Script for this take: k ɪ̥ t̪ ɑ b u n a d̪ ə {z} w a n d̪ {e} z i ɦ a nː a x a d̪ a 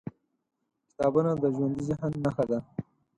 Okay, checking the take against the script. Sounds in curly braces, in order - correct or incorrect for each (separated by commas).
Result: incorrect, incorrect